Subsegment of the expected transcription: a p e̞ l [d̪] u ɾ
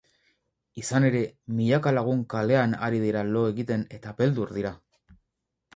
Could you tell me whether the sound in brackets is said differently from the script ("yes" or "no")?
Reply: no